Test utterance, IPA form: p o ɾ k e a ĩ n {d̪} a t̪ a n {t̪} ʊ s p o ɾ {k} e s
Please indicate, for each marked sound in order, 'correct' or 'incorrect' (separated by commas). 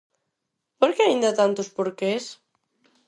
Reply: correct, correct, correct